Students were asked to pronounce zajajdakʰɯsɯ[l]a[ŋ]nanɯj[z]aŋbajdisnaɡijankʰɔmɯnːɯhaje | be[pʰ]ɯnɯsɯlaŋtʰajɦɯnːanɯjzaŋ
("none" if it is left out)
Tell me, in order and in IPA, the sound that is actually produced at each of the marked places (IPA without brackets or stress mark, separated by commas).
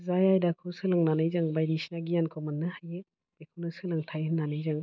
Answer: l, ŋ, z, kʰ